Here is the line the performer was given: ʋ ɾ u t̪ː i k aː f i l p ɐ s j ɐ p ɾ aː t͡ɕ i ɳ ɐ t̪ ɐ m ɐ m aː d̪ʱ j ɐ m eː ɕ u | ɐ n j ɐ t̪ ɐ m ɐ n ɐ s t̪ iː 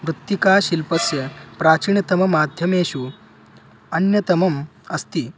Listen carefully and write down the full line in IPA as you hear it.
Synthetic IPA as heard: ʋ ɾ u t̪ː i k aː ɕ i l p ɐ s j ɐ p ɾ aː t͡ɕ i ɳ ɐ t̪ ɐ m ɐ m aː d̪ʱ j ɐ m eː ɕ u | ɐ n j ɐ t̪ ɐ m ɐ m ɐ s t̪ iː